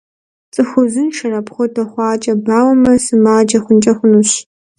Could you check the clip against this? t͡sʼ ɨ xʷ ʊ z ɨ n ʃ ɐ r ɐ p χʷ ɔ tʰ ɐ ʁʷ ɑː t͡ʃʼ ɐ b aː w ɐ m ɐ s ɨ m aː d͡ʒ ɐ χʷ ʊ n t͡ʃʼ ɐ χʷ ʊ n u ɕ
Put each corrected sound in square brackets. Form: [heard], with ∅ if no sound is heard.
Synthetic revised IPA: t͡sʼ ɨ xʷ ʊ z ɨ n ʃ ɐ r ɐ p χʷ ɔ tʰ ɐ [χʷ] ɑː t͡ʃʼ ɐ b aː w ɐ m ɐ s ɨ m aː d͡ʒ ɐ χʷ ʊ n t͡ʃʼ ɐ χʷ ʊ n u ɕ